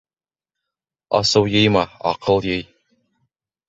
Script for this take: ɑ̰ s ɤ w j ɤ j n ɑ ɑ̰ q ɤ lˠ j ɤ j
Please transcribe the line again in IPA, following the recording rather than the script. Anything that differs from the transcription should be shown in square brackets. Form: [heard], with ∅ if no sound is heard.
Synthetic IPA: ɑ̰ s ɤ w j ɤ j [m] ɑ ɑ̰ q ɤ lˠ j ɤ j